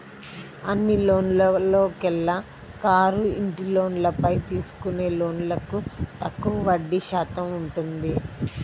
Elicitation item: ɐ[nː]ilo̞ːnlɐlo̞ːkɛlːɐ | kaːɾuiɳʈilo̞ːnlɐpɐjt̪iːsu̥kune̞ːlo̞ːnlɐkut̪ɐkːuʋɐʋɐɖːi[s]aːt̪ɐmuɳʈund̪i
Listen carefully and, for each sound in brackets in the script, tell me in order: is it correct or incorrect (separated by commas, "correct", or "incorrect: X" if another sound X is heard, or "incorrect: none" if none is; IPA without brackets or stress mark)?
correct, incorrect: ʃ